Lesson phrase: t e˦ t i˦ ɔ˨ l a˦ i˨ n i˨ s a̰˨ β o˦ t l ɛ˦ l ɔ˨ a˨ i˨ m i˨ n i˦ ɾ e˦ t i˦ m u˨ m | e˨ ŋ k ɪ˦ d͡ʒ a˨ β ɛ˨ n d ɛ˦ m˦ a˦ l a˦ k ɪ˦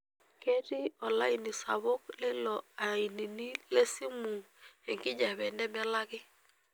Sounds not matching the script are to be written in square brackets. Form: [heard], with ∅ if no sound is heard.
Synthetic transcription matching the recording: [k] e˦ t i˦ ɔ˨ l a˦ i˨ n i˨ s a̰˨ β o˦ [k] l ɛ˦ l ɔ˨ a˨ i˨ [n] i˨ n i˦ [l] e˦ [s] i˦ m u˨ [∅] | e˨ ŋ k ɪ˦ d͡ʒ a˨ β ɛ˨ n d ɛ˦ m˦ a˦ l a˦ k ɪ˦

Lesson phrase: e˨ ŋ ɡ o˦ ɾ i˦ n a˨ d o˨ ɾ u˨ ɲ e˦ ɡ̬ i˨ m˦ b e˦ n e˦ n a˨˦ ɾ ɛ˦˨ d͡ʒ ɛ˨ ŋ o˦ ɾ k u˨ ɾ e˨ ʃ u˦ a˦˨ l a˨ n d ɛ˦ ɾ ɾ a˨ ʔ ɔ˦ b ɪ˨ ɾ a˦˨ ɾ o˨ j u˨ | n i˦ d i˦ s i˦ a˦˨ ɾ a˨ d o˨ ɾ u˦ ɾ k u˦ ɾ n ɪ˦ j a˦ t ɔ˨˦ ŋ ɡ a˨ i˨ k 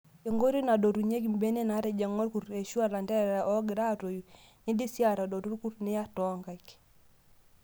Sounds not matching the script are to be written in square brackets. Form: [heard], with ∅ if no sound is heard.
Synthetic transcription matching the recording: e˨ ŋ ɡ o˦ ɾ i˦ n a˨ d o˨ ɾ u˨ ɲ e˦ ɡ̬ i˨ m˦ b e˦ n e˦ n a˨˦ ɾ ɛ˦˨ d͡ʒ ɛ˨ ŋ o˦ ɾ k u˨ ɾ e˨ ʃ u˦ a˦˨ l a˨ n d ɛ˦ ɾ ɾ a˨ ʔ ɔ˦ [ɡ] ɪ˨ ɾ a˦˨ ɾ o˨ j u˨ | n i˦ d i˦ s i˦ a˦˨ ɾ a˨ d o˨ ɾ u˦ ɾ k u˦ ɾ n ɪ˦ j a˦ t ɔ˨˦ ŋ ɡ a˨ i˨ k

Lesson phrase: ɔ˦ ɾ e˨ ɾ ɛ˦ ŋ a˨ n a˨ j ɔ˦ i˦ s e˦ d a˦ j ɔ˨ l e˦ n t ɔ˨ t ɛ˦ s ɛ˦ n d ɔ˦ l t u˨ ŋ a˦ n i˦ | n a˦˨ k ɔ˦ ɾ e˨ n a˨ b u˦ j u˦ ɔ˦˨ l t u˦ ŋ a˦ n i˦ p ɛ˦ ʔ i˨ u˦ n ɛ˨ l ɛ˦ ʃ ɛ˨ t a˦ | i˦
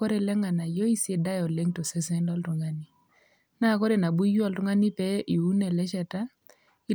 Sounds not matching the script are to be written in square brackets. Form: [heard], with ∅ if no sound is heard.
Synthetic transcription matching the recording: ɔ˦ ɾ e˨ [l] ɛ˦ ŋ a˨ n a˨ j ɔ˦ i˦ s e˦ d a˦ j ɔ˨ l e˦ [ŋ] t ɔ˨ [s] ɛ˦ s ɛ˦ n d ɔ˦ l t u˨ ŋ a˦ n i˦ | n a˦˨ k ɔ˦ ɾ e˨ n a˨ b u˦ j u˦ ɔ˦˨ l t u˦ ŋ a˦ n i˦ p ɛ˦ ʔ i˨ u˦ n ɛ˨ l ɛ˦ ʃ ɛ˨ t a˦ | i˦

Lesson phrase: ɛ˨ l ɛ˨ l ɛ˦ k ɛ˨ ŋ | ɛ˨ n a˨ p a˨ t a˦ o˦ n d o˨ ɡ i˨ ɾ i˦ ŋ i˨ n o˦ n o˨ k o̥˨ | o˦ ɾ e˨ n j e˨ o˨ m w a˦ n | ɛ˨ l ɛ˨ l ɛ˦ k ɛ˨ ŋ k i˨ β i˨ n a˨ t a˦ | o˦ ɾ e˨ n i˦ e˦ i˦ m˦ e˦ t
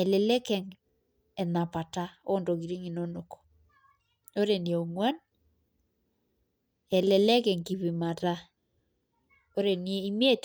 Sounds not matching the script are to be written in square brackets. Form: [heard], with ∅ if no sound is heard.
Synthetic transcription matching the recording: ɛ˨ l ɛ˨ l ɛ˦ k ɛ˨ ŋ | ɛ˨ n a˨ p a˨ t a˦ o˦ n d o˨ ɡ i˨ ɾ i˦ ŋ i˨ n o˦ n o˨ k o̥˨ | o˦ ɾ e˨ n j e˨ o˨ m w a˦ n | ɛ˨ l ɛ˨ l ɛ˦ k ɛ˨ ŋ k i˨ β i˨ [m] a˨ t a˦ | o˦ ɾ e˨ n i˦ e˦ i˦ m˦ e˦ t

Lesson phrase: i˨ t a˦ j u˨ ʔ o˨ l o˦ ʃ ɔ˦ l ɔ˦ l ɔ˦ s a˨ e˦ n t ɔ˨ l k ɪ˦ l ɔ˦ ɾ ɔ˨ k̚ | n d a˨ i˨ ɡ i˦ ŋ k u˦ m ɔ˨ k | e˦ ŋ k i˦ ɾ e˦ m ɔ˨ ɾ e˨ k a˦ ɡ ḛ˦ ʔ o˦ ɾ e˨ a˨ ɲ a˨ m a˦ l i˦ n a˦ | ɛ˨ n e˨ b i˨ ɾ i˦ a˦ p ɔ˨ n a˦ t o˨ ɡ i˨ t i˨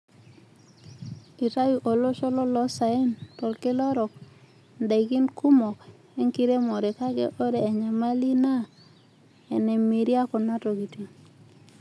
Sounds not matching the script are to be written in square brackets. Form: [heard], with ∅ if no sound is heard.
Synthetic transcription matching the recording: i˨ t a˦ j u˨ ʔ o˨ l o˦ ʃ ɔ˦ l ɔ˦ l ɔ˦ s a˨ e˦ n t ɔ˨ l k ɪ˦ l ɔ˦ ɾ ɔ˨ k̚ | n d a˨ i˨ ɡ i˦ [n] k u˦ m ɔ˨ k | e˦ ŋ k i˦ ɾ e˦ m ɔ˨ ɾ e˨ k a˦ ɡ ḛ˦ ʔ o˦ ɾ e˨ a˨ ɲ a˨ m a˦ l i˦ n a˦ | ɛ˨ n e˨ [m] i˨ ɾ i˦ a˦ [k] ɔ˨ n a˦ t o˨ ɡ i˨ t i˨

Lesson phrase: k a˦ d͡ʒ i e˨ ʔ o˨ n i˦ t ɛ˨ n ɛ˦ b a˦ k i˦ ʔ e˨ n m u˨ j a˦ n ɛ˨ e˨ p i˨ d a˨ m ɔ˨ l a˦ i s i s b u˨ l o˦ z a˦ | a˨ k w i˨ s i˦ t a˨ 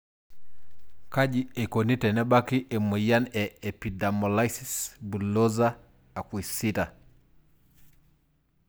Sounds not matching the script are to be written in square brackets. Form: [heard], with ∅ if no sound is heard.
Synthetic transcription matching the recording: k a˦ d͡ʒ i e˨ [k] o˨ n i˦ t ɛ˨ n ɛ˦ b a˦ k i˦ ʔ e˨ [∅] m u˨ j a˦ n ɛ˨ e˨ p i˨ d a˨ m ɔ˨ l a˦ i s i s b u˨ l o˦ z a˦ | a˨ k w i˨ s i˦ t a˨

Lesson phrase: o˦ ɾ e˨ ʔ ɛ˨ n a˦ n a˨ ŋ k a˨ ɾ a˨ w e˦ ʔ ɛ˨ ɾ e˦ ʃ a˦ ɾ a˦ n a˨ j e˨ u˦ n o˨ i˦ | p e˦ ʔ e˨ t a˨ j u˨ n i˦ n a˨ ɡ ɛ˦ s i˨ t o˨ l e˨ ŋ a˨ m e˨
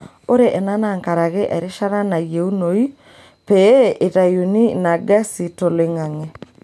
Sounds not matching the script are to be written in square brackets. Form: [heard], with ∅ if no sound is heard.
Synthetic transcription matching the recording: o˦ ɾ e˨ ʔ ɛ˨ n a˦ n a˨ ŋ k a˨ ɾ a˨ [ɣ] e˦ ʔ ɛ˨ ɾ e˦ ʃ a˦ ɾ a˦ n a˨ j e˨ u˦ n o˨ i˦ | p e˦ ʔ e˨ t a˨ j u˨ n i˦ n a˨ ɡ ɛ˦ s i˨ t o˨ l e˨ ŋ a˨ [ŋ] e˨

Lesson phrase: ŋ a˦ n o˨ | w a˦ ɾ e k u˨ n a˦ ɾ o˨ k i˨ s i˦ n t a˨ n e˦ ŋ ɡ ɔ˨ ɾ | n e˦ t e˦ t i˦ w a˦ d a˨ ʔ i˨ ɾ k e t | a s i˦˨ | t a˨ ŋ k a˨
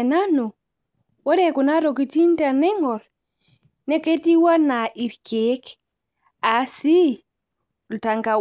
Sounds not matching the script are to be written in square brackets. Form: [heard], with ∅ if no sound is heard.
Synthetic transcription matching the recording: [n] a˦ n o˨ | w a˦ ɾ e k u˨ n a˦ ɾ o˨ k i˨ [t] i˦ n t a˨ n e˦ ŋ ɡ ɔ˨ ɾ | n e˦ [k] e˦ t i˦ w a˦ [n] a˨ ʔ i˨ ɾ k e [k] | a s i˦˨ | t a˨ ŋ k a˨

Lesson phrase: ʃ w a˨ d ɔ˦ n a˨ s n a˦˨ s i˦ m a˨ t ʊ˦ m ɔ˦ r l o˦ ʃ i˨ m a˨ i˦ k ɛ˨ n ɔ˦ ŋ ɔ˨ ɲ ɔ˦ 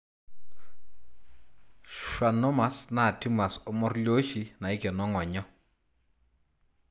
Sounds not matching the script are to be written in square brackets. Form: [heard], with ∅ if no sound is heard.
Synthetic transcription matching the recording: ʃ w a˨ [n] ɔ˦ [m] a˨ s n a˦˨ [t] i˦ m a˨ [s] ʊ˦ m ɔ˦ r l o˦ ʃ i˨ [n] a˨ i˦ k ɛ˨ n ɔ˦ ŋ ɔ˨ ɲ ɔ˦

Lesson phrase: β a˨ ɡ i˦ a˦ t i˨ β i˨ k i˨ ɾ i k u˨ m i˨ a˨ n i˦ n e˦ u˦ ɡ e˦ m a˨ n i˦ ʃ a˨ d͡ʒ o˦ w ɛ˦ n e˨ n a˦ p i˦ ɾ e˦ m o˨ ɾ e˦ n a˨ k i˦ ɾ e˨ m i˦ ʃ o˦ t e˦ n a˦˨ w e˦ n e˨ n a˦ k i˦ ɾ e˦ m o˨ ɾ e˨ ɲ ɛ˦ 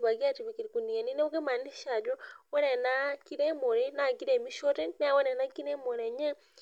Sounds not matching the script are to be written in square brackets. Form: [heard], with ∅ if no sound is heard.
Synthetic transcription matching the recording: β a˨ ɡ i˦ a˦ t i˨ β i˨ k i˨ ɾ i k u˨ [n] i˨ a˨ n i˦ n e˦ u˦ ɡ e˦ m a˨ n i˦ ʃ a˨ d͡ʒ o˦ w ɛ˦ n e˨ n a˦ [k] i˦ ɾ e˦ m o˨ ɾ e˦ n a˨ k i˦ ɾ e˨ m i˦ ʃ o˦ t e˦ n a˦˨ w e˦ n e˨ n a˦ k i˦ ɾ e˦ m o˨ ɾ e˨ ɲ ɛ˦

